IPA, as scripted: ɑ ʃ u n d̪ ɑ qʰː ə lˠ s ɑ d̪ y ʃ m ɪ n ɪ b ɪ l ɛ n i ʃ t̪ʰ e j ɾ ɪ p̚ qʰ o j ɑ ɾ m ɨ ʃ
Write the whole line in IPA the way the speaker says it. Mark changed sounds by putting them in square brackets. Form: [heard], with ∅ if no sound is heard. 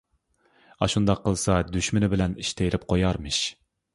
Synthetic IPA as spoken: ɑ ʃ u n d̪ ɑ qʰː ə lˠ s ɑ d̪ y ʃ m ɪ n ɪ b ɪ l ɛ n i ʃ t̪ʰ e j ɾ ɪ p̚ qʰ o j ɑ ɾ m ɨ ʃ